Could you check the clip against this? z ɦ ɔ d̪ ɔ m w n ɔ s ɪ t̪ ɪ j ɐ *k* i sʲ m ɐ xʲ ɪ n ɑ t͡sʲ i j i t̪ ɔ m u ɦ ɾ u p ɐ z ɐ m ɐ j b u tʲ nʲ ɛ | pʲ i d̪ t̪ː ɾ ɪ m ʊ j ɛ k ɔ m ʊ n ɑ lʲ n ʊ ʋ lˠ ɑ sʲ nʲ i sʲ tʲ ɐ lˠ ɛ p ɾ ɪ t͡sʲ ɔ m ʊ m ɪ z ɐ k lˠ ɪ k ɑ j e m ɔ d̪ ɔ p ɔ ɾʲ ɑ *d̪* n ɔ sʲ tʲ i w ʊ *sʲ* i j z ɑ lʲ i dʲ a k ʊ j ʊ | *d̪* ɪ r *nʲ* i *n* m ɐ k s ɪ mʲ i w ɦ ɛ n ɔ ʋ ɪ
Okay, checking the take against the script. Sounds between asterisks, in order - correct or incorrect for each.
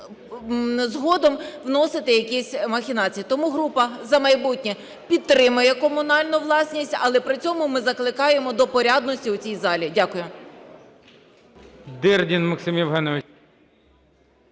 correct, correct, incorrect, correct, incorrect, correct

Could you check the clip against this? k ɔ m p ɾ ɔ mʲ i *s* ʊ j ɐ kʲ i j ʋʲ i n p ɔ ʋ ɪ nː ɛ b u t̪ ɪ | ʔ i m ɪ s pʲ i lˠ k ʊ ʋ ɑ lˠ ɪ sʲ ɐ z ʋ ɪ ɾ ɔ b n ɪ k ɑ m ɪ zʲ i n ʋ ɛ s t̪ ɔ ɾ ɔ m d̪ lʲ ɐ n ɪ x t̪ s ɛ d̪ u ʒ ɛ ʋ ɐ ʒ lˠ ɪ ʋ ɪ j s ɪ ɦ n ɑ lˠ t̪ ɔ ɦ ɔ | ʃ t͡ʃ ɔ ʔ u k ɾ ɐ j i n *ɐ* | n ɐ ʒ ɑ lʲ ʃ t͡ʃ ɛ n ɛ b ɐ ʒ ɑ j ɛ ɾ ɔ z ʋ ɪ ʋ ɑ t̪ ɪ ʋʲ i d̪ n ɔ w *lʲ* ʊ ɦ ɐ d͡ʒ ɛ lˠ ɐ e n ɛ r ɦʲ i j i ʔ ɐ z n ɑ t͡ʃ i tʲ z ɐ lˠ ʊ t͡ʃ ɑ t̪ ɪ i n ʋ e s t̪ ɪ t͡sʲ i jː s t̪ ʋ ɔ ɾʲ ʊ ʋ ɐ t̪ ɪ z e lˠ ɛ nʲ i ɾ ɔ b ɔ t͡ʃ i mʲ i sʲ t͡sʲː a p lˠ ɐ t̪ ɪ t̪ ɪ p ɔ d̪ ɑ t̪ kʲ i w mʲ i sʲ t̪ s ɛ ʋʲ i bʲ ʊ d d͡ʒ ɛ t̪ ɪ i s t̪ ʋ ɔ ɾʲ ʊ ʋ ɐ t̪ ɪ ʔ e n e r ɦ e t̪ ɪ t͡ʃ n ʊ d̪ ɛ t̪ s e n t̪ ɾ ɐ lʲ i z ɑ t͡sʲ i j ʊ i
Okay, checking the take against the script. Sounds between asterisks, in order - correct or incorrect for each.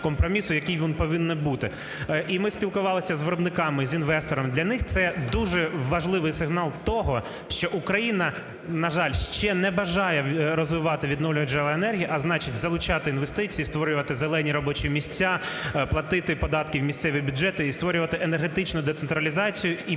correct, correct, correct

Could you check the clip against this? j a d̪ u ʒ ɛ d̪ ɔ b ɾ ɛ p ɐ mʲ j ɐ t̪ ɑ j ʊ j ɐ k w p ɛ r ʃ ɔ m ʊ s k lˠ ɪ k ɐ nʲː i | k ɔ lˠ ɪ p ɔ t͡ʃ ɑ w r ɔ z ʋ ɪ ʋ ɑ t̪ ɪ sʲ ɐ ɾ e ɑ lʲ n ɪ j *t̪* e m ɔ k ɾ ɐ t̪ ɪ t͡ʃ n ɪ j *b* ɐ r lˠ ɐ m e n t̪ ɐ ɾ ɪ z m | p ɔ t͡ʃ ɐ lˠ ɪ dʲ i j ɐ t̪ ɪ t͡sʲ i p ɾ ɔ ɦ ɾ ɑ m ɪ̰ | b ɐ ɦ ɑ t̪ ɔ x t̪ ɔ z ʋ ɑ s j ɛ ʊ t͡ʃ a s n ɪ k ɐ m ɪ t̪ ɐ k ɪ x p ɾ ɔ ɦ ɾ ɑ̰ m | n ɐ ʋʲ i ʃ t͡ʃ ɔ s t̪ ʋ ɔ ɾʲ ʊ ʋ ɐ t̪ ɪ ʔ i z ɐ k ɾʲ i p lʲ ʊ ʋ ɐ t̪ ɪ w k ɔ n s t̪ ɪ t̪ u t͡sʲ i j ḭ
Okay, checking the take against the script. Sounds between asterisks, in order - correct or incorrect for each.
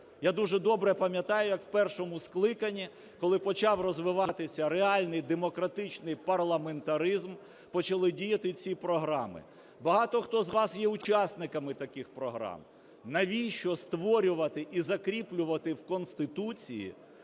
incorrect, incorrect

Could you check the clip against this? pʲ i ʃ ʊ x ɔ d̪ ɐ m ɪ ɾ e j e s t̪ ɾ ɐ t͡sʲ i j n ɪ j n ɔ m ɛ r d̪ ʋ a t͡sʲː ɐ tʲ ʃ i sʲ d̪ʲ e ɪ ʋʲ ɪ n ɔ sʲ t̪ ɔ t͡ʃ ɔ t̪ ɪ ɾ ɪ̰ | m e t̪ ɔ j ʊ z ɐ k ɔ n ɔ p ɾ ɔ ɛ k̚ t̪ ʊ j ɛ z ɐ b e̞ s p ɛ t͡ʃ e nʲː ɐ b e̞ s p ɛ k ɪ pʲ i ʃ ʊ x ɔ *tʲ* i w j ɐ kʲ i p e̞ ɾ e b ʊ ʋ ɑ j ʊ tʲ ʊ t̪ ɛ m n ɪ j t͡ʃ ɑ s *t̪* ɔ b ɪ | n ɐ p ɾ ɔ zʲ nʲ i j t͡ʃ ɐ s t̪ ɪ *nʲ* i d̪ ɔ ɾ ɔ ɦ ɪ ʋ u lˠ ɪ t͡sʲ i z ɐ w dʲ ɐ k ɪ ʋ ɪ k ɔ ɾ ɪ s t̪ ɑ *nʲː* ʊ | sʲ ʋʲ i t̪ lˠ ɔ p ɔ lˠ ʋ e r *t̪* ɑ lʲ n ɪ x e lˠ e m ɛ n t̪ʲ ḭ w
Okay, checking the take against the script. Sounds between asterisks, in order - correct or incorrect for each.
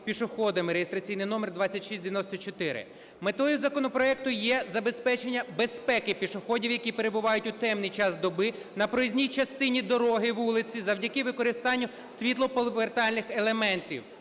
incorrect, incorrect, correct, correct, correct

